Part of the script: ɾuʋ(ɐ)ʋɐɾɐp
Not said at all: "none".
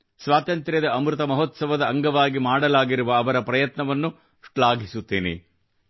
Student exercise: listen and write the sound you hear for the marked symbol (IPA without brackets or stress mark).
ɐː